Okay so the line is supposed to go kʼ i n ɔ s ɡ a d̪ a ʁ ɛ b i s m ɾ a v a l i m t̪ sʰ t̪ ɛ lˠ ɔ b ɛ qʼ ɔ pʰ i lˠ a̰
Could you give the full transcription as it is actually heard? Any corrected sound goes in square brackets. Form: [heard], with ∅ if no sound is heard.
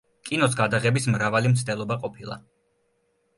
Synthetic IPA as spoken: kʼ i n ɔ s ɡ a d̪ a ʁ ɛ b i s m ɾ a v a l i m t̪ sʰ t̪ ɛ lˠ ɔ b [a] qʼ ɔ pʰ i lˠ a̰